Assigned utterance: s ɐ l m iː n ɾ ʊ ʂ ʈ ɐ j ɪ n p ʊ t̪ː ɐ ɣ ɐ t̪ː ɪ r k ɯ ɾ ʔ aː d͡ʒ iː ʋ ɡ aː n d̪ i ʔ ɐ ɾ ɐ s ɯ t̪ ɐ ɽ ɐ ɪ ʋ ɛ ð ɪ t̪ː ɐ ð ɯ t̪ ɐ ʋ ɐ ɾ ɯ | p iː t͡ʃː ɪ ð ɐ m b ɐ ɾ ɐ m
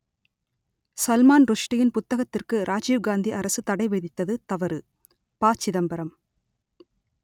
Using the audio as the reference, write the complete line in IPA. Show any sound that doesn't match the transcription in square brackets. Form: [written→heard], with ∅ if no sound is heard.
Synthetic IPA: s ɐ l m [iː→aː] n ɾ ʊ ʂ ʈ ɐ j ɪ n p ʊ t̪ː ɐ ɣ ɐ t̪ː ɪ r k ɯ ɾ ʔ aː d͡ʒ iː ʋ ɡ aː n d̪ i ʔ ɐ ɾ ɐ s ɯ t̪ ɐ ɽ ɐ ɪ ʋ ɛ ð ɪ t̪ː ɐ ð ɯ t̪ ɐ ʋ ɐ ɾ ɯ | p [iː→aː] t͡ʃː ɪ ð ɐ m b ɐ ɾ ɐ m